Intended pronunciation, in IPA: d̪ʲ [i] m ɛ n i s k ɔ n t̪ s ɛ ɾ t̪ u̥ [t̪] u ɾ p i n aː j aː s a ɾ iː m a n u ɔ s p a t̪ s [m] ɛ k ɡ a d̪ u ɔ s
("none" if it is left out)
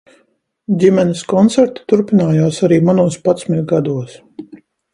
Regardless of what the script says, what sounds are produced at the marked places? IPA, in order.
i, t̪, m

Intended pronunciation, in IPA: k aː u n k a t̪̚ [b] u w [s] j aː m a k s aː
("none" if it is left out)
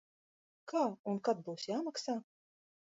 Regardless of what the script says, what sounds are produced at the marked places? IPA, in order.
b, s

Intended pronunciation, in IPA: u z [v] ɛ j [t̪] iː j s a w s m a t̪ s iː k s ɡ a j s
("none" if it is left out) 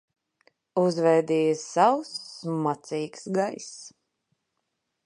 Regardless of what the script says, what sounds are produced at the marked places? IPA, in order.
v, d̪

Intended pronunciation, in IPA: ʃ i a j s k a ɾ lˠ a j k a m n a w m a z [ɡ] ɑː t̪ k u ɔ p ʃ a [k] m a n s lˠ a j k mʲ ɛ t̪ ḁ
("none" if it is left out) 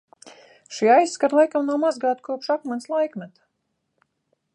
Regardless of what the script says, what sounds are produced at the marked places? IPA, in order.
ɡ, k

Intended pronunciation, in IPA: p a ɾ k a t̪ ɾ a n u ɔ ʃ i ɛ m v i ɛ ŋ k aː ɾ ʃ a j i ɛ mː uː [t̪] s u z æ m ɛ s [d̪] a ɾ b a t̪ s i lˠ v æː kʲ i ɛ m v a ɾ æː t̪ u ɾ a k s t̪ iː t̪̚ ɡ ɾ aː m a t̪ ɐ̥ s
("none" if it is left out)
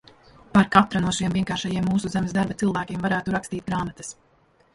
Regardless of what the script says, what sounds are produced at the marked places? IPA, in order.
none, d̪

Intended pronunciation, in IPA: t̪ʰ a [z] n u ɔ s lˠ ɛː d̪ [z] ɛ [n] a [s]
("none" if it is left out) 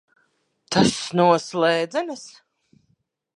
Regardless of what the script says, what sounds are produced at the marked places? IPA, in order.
s, z, n, s

